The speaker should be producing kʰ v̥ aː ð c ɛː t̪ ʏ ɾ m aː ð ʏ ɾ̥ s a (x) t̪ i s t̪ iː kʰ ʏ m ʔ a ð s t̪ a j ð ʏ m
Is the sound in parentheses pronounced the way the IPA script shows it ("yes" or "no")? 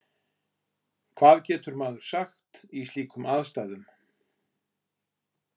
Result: yes